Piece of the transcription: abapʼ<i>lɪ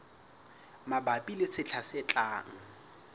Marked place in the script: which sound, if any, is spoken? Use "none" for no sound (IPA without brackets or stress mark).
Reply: i